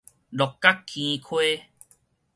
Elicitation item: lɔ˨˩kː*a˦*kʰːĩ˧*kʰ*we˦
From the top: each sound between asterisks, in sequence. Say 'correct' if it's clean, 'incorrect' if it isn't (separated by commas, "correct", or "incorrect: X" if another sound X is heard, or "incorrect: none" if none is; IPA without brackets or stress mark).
correct, correct